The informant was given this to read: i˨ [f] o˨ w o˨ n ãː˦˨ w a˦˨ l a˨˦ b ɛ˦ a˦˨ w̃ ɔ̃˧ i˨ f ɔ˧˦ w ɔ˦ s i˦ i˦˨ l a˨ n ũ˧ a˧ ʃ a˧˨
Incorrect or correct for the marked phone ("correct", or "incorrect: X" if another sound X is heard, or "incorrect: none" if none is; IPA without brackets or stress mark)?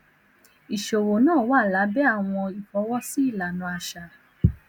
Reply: incorrect: ʃ